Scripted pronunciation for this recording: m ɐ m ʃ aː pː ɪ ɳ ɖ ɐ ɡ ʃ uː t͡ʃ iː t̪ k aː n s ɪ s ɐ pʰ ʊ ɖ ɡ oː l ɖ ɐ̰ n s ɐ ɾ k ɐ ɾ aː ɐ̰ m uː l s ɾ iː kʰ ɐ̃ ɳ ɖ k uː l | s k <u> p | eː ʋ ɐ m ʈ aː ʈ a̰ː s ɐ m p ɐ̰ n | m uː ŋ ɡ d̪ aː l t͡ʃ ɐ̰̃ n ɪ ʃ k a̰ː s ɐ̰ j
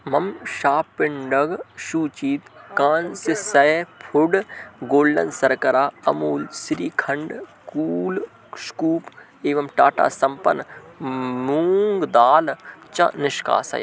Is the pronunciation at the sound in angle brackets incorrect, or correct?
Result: incorrect